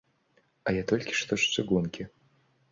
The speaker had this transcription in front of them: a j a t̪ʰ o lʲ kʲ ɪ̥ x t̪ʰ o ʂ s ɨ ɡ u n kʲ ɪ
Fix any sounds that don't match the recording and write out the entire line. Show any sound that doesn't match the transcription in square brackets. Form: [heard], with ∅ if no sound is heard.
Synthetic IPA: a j a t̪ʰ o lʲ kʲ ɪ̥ [ʂ] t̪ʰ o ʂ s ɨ ɡ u n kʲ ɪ